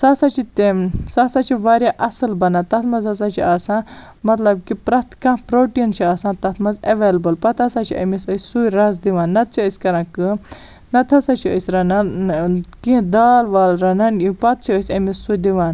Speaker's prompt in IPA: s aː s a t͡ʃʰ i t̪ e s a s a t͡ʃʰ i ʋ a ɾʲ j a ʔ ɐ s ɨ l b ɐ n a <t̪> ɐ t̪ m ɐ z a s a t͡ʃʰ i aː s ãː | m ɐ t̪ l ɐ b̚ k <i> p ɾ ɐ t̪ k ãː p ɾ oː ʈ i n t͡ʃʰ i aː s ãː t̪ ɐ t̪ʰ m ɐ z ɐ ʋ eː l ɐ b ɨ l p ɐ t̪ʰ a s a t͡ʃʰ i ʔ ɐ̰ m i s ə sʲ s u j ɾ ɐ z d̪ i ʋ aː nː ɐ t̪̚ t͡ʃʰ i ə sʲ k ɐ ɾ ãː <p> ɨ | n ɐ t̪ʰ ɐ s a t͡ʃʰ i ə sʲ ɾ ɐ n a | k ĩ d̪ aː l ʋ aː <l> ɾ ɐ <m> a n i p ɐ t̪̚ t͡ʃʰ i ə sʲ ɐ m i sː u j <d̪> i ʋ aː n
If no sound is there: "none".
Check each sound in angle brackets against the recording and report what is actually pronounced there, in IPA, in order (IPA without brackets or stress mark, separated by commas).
t̪, i, k, l, n, d̪